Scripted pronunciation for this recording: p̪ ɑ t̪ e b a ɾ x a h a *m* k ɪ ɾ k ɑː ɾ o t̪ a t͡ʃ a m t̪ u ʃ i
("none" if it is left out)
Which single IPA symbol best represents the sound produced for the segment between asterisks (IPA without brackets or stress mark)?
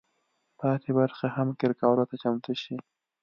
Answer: m